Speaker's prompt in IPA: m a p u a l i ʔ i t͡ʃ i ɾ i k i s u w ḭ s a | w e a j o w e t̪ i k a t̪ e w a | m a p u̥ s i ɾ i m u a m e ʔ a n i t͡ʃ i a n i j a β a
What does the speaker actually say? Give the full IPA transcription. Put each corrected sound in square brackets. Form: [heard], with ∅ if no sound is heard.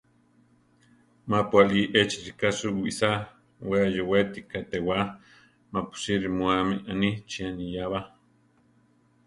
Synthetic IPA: m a p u a l i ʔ [e] t͡ʃ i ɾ i k [a] s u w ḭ s a | w e a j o w e t̪ i k a t̪ e w a | m a p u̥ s i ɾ i m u a m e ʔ a n i t͡ʃ i a n i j a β a